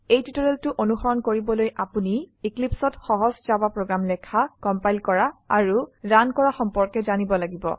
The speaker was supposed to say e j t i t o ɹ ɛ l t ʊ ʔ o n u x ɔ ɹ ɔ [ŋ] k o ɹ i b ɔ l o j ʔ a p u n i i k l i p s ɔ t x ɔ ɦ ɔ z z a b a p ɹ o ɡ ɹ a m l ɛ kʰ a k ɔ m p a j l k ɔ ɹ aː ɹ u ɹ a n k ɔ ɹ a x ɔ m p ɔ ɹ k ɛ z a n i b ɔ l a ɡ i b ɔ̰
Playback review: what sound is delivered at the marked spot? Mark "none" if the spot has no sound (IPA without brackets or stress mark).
n